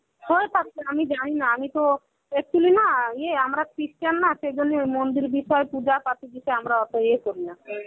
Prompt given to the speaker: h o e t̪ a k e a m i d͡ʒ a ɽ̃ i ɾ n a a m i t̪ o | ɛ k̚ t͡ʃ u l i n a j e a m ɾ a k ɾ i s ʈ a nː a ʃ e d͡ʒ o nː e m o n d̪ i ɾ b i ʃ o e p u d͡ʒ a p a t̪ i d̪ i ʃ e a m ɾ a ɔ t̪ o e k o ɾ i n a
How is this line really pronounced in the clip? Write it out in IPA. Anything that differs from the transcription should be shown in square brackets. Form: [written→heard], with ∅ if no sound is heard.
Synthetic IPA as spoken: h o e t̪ a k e a m i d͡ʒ a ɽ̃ i [ɾ→∅] n a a m i t̪ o | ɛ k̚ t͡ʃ u l i n a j e a m ɾ a k ɾ i s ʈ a nː a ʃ e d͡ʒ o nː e m o n d̪ i ɾ b i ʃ [o→ɔ] e p u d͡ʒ a p a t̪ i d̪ i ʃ e a m ɾ a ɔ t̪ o e k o ɾ i n a